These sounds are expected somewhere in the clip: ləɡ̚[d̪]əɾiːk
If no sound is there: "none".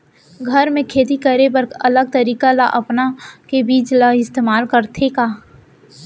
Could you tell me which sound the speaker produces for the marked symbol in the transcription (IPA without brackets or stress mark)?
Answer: t̪